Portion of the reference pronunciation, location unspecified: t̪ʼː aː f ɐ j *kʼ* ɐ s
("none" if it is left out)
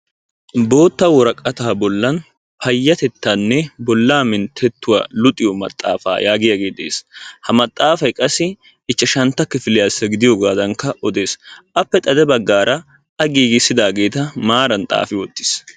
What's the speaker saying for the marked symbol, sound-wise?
kʼ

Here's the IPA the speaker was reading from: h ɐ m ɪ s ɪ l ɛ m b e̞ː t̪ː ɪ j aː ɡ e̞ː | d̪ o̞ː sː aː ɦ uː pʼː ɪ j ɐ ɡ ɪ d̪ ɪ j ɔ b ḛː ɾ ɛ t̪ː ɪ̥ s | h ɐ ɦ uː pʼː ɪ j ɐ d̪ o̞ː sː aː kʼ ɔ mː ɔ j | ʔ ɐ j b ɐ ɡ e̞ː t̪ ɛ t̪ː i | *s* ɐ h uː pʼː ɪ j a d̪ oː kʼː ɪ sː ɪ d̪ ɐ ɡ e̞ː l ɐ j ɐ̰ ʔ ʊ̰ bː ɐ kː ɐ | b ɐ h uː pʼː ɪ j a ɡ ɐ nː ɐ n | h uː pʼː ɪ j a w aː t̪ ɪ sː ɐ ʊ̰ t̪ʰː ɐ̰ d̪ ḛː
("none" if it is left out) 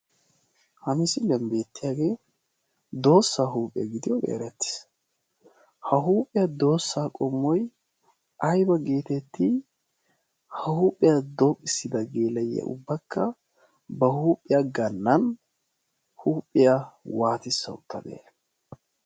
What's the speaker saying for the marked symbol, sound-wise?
h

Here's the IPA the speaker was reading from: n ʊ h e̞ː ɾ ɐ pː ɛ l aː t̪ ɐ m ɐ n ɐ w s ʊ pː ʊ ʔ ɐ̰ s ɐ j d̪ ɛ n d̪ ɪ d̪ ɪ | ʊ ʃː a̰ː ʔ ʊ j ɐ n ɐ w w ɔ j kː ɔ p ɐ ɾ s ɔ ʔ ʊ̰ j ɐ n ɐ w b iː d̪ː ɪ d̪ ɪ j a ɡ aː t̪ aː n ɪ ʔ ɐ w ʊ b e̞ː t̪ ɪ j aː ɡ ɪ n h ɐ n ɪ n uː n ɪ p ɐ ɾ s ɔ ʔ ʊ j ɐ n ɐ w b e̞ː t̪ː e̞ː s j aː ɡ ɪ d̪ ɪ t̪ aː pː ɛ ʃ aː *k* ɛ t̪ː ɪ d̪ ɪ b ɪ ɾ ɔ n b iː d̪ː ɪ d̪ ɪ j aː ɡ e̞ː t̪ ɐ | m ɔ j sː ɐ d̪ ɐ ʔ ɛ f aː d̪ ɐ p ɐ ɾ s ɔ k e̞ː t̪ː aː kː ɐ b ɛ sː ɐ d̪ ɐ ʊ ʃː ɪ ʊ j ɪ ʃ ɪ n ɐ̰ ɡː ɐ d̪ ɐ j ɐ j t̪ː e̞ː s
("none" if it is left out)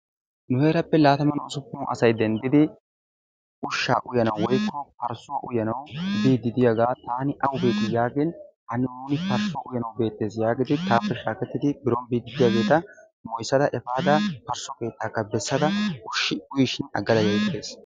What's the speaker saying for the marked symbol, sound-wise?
k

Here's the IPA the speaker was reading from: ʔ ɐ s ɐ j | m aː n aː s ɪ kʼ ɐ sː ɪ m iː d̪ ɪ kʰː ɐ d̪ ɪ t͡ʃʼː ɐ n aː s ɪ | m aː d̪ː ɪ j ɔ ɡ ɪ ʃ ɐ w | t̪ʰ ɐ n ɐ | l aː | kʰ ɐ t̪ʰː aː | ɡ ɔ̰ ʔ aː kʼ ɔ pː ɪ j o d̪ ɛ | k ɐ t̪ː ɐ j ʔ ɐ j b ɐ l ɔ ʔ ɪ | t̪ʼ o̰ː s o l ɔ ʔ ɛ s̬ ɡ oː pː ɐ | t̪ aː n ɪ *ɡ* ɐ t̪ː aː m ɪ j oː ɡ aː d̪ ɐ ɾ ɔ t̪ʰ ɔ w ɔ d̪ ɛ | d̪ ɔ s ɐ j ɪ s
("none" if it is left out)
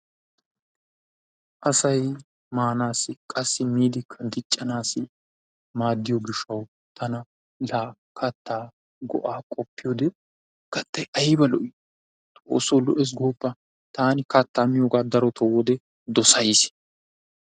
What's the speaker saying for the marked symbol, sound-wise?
k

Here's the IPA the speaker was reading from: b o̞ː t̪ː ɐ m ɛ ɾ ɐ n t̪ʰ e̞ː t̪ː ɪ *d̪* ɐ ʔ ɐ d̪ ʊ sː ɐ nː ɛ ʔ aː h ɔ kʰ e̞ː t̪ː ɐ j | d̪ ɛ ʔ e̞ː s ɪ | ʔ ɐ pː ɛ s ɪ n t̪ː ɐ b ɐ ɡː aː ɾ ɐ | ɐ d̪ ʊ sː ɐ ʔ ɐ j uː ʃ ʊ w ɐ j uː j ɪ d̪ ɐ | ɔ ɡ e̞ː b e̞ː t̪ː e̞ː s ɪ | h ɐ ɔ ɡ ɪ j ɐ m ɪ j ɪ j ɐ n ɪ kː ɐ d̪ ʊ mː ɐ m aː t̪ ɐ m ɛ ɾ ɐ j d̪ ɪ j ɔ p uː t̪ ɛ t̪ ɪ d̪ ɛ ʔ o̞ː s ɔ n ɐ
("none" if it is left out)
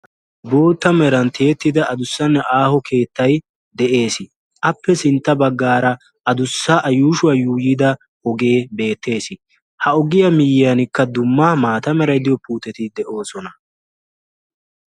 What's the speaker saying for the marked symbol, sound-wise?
d̪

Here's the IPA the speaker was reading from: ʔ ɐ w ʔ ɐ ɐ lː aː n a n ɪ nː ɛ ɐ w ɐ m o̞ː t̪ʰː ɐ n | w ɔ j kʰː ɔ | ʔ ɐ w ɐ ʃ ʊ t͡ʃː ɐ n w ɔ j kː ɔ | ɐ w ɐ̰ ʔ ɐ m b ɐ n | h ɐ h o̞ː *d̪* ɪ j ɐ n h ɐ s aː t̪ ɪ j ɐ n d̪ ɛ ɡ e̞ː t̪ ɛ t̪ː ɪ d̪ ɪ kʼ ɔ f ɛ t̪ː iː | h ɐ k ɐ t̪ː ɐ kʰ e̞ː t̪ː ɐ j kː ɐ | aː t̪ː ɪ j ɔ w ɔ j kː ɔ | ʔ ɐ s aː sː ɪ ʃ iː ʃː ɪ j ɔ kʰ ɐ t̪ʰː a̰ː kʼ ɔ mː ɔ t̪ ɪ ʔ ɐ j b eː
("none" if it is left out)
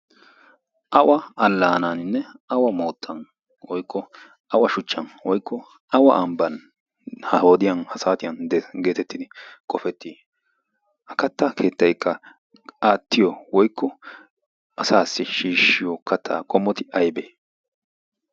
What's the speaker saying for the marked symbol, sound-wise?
d̪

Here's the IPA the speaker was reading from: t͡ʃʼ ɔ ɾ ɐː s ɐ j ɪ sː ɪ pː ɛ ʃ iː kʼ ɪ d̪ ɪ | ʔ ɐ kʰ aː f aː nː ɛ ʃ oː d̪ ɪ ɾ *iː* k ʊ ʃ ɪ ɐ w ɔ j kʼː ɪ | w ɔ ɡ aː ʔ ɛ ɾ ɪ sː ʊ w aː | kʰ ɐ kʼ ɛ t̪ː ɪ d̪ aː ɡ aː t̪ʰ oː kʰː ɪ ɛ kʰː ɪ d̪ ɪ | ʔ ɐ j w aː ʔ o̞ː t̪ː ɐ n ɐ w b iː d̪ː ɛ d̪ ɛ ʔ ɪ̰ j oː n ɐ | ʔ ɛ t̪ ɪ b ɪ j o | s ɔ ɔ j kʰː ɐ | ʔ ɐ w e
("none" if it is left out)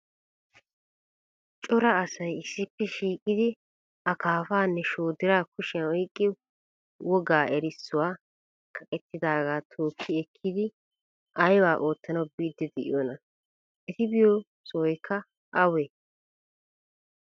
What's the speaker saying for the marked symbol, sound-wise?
aː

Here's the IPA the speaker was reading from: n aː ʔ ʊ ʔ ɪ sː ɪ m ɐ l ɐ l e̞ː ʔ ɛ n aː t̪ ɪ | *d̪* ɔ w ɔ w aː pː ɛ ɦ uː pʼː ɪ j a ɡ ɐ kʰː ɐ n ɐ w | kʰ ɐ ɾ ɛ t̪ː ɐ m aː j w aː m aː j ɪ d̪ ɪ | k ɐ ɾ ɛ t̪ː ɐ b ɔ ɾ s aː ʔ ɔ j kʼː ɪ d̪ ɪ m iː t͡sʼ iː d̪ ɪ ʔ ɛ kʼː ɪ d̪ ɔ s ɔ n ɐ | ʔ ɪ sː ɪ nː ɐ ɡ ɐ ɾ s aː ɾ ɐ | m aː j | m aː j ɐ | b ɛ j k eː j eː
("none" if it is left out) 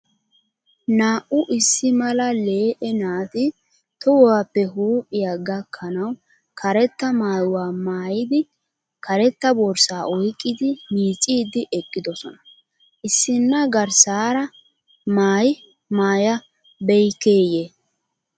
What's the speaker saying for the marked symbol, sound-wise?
t̪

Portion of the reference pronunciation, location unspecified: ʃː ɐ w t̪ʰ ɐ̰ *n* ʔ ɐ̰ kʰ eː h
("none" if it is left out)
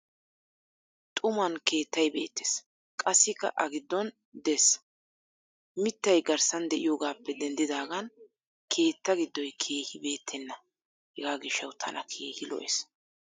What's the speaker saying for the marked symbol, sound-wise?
n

